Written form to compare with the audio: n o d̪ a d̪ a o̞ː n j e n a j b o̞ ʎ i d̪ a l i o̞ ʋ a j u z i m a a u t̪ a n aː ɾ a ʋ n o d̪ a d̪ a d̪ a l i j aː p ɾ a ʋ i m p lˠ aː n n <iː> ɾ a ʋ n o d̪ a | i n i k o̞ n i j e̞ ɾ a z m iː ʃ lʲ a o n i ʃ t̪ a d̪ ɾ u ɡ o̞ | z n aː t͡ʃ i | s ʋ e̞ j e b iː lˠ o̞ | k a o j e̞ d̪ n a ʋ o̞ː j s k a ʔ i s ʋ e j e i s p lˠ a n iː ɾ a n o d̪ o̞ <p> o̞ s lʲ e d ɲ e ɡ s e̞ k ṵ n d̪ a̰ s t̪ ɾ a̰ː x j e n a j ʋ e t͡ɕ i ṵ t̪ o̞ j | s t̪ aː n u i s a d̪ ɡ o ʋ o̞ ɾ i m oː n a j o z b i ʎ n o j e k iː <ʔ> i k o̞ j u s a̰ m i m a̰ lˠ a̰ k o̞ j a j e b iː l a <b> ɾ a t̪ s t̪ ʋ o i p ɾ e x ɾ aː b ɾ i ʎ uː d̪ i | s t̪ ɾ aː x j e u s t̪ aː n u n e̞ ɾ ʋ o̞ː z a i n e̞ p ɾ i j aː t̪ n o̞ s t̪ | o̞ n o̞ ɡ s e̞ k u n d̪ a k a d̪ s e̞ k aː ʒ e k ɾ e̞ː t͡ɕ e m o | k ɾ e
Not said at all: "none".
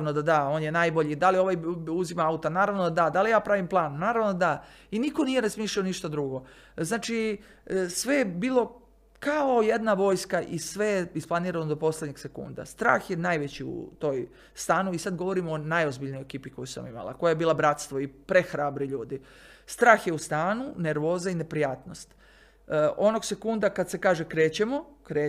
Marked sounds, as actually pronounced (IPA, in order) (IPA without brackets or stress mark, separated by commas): aː, p, p, b